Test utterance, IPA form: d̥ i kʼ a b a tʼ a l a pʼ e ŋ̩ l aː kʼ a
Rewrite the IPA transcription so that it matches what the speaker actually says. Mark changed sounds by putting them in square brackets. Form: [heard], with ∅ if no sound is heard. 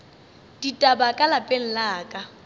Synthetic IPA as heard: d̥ i [tʼ] a b a [kʼ] a l a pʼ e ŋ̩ l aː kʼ a